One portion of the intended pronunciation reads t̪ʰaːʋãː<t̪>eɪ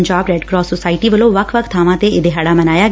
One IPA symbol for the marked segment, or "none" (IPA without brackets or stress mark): t̪